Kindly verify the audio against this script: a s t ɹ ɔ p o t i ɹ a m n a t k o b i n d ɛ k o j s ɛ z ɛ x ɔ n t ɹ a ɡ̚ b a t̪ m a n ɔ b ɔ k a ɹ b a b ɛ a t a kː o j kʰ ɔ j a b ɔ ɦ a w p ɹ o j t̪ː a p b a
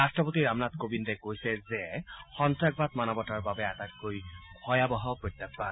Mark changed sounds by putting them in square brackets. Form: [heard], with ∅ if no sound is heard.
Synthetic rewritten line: a s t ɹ ɔ p o t i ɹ a m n a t k o b i n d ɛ k o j s ɛ z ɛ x ɔ n t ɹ a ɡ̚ b a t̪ m a n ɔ b ɔ [t] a ɹ b a b ɛ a t a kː o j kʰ ɔ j a b ɔ ɦ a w p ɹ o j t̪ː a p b a